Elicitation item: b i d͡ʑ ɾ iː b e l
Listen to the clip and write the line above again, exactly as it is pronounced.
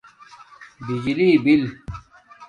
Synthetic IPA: b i d͡ʑ l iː b i l